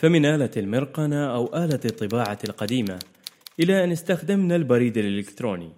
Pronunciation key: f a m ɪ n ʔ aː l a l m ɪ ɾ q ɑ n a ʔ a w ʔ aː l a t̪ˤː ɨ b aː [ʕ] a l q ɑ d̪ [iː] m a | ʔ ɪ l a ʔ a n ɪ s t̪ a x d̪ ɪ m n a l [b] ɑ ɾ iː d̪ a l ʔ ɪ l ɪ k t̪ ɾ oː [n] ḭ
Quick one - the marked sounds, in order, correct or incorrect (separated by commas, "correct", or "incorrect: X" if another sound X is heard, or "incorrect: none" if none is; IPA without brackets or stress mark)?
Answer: correct, correct, correct, correct